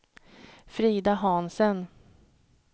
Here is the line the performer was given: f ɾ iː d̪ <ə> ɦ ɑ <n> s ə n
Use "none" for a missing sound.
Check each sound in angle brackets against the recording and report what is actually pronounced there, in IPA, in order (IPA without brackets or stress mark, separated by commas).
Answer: a, n